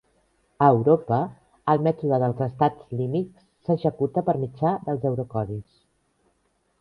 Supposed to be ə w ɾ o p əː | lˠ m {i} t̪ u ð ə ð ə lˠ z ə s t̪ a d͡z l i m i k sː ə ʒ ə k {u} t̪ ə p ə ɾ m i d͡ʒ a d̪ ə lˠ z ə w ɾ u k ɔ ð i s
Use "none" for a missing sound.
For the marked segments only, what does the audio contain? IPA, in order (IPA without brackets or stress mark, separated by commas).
ɛ, u